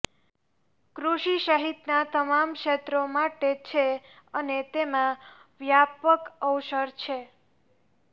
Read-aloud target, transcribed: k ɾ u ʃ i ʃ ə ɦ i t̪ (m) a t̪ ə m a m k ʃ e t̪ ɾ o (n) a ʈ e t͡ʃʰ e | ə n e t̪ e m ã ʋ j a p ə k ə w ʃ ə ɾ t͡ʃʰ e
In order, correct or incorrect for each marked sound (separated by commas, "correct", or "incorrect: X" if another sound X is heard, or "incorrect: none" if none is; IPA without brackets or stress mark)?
incorrect: n, incorrect: m